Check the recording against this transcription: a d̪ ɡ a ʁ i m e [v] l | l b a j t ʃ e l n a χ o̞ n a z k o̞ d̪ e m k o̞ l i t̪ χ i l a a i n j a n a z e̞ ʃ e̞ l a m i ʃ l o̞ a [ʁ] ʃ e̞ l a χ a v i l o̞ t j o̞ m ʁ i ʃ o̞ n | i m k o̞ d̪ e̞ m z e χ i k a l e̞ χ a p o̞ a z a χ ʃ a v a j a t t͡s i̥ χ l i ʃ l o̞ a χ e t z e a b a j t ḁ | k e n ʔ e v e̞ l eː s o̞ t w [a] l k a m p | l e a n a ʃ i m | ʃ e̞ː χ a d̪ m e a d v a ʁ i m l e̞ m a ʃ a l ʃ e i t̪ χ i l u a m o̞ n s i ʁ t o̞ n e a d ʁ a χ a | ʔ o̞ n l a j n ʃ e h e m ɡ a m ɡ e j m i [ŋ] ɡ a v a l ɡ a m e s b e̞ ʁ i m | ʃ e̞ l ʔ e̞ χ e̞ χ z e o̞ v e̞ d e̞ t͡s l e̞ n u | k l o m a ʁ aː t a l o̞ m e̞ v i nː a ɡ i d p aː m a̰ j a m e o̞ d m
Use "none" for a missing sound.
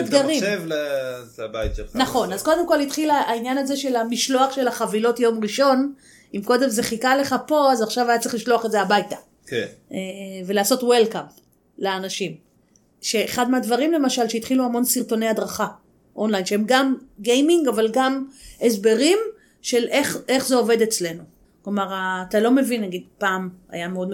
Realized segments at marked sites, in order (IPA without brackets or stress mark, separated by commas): v, χ, e, ŋ